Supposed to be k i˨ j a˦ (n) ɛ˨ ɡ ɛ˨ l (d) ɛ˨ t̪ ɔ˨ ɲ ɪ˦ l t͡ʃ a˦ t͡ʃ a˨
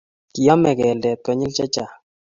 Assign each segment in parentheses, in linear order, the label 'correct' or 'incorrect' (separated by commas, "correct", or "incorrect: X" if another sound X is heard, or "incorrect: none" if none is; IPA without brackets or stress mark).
incorrect: m, correct